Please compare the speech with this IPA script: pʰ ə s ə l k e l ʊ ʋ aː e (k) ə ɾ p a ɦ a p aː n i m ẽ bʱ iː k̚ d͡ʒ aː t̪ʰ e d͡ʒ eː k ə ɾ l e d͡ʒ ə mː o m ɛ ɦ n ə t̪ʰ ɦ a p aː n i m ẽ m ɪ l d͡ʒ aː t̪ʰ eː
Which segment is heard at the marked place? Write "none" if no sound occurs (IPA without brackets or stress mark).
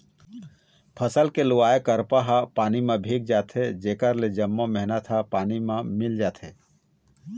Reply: k